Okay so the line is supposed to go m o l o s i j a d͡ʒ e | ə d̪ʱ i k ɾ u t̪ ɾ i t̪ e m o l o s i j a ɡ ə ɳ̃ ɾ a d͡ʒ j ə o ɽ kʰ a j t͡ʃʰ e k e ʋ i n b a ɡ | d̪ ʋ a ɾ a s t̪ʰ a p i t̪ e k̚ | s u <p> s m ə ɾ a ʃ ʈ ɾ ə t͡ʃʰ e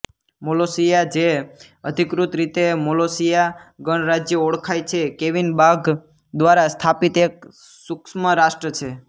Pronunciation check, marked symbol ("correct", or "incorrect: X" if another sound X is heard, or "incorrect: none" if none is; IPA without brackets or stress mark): incorrect: k